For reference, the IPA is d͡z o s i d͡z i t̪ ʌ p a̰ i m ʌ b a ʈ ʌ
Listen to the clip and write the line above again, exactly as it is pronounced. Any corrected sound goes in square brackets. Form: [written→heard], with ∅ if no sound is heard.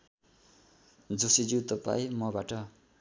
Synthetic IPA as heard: d͡z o s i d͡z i t̪ ʌ p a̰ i m ʌ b a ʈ ʌ